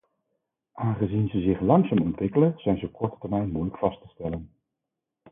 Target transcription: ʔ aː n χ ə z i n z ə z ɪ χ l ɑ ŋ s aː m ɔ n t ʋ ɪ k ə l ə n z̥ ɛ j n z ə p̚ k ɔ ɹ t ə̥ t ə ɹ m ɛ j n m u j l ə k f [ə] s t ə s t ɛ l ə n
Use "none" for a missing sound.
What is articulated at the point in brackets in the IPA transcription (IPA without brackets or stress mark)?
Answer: ɑ